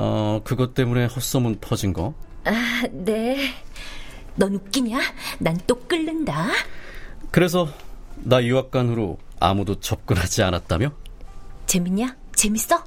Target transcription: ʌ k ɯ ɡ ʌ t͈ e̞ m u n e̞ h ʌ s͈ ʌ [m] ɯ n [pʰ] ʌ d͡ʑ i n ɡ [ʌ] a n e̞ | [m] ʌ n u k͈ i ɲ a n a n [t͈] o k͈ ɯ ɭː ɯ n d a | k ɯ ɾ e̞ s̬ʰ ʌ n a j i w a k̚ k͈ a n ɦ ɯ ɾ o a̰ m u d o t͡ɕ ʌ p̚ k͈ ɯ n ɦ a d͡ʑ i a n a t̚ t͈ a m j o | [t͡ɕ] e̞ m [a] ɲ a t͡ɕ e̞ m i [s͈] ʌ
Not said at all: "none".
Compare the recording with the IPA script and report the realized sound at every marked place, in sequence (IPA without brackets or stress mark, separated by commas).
m, pʰ, ʌ, n, t͈, t͡ɕ, i, s͈